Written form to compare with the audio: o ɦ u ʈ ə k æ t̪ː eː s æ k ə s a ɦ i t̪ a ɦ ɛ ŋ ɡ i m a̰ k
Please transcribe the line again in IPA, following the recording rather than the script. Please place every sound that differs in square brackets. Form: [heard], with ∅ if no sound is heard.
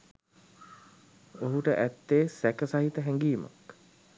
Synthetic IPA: o ɦ u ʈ ə [ʔ] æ t̪ː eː s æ k ə s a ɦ i t̪ [ə] ɦ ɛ ŋ ɡ [iː] m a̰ k